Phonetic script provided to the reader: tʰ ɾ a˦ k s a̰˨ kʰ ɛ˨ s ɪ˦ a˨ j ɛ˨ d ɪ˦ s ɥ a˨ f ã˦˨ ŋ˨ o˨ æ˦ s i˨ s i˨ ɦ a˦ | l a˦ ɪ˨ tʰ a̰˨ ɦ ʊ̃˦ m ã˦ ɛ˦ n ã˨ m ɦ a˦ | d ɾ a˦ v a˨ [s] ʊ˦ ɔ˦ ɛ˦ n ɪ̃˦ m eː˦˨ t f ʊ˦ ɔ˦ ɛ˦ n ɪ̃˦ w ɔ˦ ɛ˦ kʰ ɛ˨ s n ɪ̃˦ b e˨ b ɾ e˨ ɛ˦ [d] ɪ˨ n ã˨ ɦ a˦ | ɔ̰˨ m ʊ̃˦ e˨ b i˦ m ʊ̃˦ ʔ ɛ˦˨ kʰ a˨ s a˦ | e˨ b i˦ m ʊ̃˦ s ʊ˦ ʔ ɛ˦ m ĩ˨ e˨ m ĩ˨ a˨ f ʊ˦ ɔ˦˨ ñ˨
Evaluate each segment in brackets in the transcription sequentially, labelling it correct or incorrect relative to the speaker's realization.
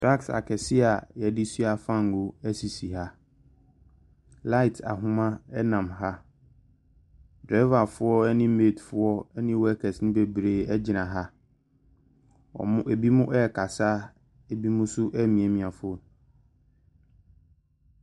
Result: incorrect: f, incorrect: d͡ʑ

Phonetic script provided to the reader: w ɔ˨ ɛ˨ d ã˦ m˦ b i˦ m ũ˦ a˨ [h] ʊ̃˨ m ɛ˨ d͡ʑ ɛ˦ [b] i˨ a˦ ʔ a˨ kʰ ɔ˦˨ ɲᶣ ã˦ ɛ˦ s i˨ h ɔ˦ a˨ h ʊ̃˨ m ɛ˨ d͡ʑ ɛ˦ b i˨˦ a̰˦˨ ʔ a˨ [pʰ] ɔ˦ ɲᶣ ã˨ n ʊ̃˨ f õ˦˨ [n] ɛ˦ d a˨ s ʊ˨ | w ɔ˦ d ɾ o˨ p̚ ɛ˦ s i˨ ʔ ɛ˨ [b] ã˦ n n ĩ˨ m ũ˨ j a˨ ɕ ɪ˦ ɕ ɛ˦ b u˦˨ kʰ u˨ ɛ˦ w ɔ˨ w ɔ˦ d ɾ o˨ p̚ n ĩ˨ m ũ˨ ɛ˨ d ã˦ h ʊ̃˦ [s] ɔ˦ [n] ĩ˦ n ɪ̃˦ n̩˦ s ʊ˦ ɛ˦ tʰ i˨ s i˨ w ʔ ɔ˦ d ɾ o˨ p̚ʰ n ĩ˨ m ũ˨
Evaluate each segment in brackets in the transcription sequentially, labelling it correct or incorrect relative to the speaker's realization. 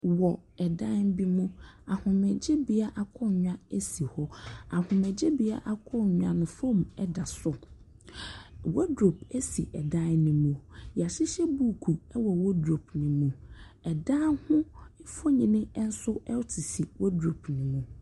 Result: correct, correct, incorrect: kʰ, incorrect: m, incorrect: d, incorrect: f, incorrect: ɲ

